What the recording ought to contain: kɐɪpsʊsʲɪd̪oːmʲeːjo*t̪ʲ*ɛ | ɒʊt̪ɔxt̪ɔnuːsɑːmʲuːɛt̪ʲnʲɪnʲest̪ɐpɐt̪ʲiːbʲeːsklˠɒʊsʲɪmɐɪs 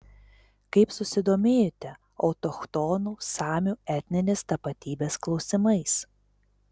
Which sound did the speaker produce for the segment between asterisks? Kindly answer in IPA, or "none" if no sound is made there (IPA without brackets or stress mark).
t̪ʲ